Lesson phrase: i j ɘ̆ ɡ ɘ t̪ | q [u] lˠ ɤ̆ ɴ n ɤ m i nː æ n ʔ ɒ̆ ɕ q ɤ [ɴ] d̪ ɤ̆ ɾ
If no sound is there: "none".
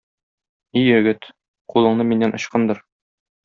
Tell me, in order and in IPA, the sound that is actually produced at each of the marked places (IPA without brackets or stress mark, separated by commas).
u, n